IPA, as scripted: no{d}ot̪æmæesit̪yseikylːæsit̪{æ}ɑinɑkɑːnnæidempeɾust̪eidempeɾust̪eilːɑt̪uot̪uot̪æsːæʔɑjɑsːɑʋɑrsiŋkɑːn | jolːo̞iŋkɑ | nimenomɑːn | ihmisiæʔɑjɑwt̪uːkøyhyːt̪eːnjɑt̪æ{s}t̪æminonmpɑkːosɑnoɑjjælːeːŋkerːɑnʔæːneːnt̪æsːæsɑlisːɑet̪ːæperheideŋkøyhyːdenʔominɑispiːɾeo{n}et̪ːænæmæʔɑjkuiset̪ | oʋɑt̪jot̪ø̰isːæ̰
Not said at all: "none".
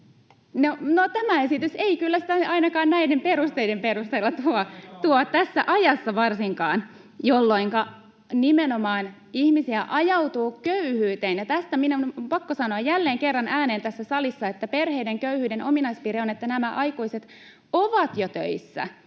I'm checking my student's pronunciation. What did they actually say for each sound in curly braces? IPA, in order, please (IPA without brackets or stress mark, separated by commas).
n, æ, s, n